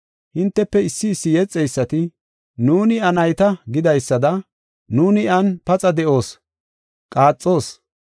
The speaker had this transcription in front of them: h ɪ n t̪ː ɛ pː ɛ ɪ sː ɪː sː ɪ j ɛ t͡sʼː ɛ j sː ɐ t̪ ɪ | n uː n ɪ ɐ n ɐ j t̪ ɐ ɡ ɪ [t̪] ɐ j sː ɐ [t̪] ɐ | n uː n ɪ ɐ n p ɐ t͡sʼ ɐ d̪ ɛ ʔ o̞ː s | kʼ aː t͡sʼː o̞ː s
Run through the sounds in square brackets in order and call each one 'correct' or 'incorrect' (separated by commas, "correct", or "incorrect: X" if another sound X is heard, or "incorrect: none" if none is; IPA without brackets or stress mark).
incorrect: d̪, incorrect: d̪